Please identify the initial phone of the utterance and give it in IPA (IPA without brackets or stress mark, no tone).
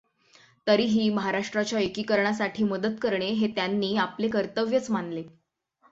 t̪